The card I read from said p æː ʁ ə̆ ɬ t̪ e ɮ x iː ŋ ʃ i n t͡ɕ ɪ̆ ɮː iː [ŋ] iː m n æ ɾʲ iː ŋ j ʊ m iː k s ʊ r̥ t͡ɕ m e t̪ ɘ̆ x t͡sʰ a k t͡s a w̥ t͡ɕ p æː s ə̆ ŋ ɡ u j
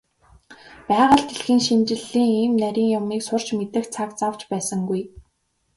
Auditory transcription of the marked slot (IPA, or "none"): ŋ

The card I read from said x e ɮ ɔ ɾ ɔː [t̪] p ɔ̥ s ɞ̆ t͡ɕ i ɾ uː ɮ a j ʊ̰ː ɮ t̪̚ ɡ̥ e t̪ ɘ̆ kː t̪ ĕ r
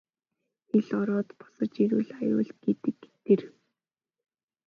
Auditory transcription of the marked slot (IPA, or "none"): t̪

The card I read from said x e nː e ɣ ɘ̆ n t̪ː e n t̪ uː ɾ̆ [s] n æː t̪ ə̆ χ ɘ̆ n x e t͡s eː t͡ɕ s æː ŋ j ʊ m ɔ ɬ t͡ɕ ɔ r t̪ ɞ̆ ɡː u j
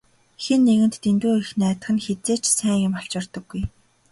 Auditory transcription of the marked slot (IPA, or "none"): x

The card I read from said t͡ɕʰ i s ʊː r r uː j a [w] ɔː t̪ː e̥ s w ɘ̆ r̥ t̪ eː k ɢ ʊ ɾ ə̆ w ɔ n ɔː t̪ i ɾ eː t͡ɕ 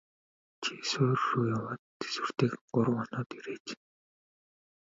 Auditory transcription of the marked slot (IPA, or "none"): w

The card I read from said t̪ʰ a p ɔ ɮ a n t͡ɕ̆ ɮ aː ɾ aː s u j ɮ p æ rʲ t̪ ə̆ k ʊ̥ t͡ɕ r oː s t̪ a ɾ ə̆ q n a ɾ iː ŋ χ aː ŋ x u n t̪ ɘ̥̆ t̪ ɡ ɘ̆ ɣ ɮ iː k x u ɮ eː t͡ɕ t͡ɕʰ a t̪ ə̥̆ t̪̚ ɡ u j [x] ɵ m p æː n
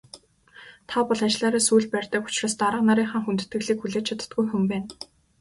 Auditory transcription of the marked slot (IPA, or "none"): x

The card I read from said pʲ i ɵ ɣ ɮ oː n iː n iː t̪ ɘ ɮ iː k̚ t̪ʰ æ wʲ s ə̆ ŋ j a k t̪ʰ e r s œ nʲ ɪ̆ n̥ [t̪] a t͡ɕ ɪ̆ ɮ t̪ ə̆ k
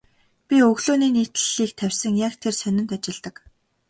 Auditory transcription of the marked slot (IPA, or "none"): t̪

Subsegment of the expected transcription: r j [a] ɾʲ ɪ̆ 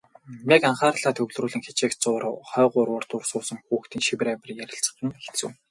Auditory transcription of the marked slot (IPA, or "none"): æ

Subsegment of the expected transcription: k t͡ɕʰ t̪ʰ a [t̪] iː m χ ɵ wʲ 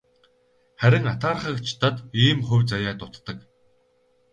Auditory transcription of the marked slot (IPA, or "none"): t̪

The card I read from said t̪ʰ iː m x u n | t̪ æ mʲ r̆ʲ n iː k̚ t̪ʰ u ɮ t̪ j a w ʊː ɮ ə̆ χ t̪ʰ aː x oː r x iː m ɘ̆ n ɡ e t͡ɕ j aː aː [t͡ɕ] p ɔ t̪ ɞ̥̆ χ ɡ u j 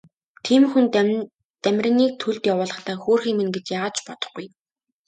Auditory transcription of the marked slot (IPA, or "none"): t͡ɕ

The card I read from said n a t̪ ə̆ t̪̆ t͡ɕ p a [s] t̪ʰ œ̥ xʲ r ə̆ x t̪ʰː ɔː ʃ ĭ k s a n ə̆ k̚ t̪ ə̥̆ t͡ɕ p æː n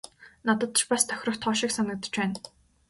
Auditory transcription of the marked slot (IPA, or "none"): s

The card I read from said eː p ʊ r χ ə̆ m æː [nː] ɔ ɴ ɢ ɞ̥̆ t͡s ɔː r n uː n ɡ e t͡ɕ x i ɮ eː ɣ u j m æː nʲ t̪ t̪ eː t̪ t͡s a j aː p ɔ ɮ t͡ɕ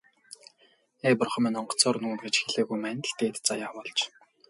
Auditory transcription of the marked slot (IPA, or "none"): n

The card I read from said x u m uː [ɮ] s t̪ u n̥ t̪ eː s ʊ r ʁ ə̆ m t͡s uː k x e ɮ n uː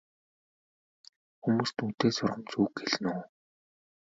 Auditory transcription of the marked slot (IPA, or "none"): none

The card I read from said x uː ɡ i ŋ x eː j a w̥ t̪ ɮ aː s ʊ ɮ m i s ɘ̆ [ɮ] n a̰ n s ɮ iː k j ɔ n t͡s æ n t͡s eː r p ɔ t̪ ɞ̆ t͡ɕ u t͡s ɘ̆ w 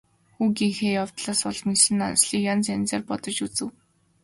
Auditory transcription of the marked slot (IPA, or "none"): none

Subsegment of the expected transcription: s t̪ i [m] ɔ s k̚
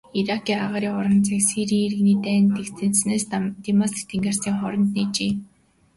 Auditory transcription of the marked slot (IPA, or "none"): m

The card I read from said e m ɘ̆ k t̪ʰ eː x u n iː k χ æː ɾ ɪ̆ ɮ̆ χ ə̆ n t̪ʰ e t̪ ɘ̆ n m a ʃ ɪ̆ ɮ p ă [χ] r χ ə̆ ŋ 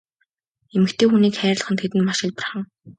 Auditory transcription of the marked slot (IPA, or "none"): none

